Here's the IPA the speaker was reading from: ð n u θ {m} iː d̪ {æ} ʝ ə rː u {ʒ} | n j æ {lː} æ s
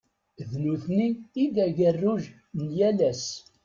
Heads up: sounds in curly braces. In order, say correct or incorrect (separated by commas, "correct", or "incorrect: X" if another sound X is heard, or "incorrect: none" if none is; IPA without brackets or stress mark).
incorrect: n, correct, correct, incorrect: l